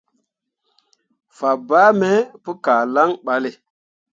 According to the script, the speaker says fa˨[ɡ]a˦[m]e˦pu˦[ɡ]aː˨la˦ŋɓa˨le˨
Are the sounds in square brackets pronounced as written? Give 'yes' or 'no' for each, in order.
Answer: no, yes, no

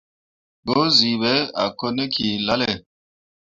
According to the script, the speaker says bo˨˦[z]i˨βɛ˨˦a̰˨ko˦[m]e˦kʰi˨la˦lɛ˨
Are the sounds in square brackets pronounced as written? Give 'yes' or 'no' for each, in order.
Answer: yes, no

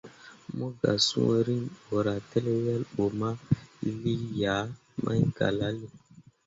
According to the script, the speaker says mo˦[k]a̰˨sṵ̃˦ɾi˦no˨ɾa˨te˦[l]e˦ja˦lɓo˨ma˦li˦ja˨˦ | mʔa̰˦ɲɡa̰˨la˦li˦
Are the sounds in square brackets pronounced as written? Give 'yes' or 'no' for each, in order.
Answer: no, yes

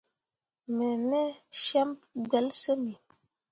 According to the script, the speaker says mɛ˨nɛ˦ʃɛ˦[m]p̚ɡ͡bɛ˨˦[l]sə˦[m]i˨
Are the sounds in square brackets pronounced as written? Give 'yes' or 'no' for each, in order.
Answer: yes, yes, yes

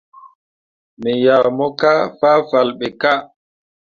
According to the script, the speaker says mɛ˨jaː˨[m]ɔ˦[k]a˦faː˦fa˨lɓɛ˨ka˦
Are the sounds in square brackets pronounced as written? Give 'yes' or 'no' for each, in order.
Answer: yes, yes

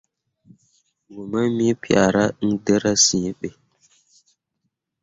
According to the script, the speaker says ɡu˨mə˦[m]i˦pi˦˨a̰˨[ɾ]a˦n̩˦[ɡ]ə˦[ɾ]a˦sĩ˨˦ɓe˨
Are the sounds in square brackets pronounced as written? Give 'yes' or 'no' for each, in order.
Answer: yes, yes, no, yes

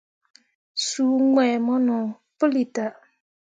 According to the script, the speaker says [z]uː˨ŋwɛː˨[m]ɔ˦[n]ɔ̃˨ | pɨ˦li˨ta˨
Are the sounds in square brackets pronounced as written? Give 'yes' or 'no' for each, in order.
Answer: no, yes, yes

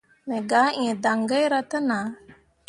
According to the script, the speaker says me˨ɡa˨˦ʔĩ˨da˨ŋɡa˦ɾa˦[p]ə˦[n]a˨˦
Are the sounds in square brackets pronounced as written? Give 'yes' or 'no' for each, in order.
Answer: no, yes

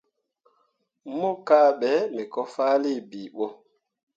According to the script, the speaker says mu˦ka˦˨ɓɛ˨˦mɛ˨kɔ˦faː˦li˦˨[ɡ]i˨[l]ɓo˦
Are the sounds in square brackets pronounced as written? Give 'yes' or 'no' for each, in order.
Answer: no, no

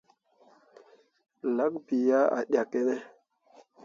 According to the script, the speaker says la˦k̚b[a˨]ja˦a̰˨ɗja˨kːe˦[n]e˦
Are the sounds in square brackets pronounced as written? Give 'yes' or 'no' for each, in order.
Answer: no, yes

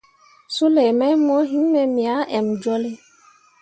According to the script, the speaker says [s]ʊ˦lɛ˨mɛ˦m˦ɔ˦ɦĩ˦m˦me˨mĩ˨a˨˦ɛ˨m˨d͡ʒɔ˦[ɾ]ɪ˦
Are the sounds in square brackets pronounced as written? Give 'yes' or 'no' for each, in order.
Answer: yes, no

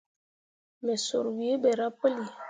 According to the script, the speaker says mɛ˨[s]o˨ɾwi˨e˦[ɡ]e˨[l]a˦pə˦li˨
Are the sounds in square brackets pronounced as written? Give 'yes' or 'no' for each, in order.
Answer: yes, no, no

